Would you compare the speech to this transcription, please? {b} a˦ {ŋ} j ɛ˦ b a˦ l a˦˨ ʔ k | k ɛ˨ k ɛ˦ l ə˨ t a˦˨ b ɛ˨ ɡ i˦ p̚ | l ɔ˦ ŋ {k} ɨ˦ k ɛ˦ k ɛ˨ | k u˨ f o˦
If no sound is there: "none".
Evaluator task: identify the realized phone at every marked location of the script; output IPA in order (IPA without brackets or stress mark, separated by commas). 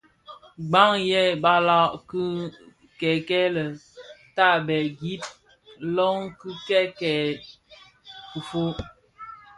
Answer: ɡ͡b, ŋ, k